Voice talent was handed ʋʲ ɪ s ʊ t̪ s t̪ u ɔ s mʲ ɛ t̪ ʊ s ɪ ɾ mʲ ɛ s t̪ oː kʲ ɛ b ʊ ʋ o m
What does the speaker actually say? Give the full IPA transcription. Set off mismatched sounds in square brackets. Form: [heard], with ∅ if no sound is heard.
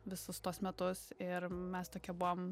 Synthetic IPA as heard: ʋʲ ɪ s ʊ [∅] s t̪ u ɔ s mʲ ɛ t̪ ʊ s ɪ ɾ mʲ ɛ s t̪ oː kʲ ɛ b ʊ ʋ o m